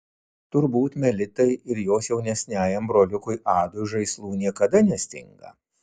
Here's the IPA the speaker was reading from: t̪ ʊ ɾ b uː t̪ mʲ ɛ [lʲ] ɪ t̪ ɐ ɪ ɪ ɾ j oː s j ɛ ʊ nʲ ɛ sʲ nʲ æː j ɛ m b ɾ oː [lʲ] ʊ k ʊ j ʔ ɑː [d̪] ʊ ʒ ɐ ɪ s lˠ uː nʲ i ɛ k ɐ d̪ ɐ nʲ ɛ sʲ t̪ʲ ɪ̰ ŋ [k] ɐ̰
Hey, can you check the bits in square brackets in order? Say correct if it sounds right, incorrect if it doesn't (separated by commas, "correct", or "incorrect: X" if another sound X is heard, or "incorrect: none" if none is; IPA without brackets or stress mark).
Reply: correct, correct, correct, incorrect: ɡ